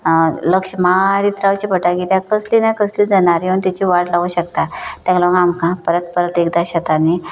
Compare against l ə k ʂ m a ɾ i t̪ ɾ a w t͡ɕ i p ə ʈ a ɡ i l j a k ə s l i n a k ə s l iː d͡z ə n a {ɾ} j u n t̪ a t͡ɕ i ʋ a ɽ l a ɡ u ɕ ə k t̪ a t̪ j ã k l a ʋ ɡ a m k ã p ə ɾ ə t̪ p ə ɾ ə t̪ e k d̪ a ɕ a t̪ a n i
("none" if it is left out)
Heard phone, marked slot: ɾ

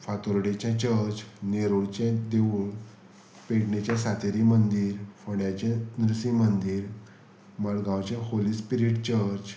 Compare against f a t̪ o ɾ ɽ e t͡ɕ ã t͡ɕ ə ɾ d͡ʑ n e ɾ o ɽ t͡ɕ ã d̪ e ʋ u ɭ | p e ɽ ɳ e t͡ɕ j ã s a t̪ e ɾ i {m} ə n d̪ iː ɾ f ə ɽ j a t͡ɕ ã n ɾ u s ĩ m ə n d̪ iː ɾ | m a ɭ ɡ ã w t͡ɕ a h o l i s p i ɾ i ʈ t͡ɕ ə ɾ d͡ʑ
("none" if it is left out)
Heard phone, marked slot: m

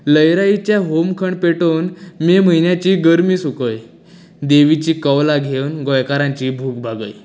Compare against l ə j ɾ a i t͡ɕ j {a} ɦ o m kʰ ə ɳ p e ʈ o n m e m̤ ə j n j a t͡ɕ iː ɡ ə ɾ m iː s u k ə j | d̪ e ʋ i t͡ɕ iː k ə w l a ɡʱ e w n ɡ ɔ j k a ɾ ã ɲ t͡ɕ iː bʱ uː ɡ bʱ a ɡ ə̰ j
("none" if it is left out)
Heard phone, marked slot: a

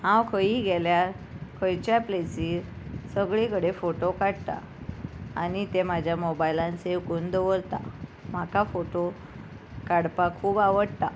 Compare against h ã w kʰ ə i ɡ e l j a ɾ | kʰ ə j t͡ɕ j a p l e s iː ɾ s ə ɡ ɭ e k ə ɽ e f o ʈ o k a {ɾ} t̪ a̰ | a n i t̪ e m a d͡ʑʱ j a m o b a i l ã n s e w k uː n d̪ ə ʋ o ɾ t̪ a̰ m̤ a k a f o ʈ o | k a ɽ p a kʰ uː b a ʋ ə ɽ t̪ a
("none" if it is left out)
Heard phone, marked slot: ɽ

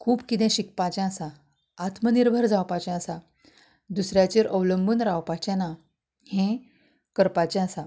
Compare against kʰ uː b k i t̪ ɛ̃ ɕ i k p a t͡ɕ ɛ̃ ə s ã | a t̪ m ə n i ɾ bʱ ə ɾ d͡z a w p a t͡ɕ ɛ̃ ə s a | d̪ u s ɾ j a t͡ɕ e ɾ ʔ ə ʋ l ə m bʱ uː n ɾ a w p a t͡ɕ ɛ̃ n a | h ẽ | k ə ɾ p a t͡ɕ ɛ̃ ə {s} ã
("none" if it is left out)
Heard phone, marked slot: s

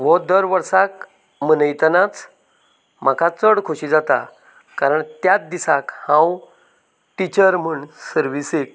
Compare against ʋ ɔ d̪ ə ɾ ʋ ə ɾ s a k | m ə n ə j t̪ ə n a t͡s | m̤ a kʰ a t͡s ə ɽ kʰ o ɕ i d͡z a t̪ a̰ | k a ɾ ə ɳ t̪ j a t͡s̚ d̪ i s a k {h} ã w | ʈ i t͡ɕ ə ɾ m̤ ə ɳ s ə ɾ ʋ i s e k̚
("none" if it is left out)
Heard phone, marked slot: h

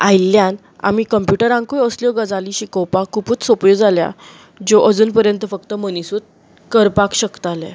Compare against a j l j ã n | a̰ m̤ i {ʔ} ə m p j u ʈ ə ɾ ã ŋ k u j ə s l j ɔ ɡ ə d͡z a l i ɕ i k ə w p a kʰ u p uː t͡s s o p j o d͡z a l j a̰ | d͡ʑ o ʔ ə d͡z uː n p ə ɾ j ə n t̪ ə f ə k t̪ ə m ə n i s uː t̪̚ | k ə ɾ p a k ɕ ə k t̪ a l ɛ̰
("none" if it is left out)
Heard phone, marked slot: k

